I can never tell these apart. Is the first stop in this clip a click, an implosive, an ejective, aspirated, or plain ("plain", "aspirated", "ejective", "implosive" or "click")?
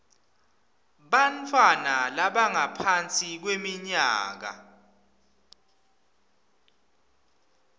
implosive